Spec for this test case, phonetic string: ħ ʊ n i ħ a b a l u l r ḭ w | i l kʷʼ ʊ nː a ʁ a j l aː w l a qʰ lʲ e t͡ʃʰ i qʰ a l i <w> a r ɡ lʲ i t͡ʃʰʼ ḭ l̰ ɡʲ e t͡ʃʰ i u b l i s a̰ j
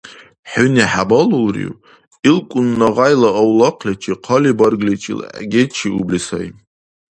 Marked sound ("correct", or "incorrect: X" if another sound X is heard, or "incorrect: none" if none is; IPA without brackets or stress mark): incorrect: b